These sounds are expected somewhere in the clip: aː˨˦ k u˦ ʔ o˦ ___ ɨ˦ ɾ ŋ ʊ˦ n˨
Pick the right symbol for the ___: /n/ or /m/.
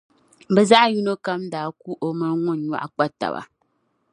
m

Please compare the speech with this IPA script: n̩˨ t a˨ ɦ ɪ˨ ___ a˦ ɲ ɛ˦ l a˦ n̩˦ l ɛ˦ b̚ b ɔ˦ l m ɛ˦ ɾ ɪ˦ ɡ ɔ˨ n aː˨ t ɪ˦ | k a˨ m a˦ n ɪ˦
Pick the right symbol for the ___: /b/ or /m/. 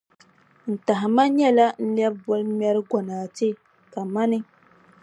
m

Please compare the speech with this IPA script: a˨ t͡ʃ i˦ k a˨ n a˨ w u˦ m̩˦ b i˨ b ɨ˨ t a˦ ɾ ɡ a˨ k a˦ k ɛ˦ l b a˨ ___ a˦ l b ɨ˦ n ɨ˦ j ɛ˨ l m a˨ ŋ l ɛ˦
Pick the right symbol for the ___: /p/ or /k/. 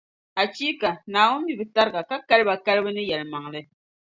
k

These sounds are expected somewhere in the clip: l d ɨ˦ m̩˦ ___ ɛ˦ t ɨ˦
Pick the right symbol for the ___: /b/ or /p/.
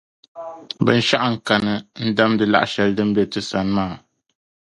b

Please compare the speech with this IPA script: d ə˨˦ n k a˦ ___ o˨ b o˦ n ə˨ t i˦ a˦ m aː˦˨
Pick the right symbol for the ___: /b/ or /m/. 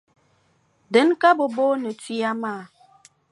b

